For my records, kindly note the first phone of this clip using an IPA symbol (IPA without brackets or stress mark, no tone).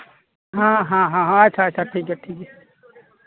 ɦ